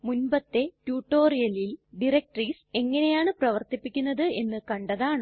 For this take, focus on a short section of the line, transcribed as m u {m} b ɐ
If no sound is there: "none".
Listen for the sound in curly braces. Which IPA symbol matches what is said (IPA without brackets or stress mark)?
n